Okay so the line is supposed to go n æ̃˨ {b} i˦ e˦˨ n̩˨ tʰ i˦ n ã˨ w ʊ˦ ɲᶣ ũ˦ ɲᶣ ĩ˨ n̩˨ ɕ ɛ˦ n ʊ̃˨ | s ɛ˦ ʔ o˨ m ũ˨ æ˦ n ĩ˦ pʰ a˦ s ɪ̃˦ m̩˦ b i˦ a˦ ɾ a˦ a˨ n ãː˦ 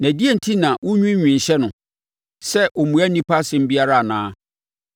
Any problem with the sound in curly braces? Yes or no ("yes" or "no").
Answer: yes